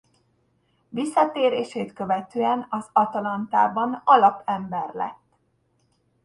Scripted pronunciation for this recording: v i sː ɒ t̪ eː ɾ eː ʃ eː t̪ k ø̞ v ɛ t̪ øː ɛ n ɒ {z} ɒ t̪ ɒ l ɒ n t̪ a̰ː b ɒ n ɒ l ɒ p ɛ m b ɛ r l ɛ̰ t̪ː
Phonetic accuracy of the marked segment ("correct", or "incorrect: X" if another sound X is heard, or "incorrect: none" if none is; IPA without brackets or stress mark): correct